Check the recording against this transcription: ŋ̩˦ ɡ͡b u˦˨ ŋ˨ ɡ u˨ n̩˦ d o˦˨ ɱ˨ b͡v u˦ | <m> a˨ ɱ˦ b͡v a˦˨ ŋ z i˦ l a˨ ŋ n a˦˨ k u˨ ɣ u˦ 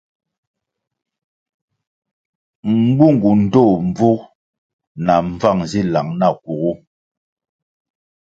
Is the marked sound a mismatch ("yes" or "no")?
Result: yes